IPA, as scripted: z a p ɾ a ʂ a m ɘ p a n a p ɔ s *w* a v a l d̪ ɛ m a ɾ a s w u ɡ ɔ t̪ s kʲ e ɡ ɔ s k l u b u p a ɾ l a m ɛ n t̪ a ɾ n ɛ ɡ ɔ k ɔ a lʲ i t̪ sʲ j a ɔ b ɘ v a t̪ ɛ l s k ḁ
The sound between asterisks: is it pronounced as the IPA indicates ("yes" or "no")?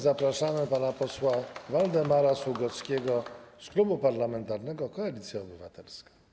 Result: yes